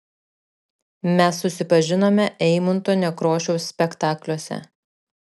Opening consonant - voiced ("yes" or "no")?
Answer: yes